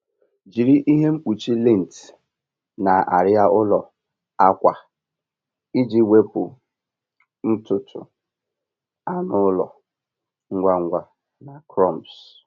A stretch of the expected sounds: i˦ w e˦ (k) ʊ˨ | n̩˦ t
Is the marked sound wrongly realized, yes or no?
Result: yes